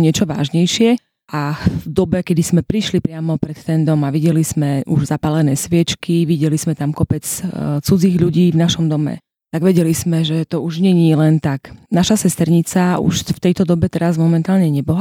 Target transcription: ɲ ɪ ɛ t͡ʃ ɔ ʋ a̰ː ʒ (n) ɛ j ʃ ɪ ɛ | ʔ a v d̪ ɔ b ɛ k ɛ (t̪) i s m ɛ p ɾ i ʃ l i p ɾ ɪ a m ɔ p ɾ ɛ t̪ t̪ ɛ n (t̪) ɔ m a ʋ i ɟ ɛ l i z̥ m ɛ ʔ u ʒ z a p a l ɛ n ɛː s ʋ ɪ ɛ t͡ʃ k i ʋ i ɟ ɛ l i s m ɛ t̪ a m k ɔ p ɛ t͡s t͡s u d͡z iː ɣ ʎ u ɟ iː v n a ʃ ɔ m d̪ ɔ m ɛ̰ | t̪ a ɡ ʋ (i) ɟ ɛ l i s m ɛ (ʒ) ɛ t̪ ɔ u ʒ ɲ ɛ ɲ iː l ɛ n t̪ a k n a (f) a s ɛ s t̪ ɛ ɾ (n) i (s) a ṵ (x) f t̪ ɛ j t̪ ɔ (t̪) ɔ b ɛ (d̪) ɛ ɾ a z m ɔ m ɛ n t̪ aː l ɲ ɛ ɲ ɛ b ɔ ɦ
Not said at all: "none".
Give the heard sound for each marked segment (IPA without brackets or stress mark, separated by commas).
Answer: ɲ, d̪, d̪, ɛ, ʒ, ʃ, ɲ, t͡s, ʃ, d̪, t̪